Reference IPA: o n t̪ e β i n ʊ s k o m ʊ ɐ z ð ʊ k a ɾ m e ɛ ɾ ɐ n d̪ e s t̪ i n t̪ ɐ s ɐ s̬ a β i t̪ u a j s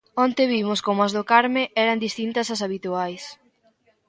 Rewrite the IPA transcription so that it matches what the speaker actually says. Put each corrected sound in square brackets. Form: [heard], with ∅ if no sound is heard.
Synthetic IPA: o n t̪ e β i [m] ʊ s k o m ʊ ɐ z ð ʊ k a ɾ m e ɛ ɾ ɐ n d̪ [i] s t̪ i n t̪ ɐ s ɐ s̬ a β i t̪ u a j s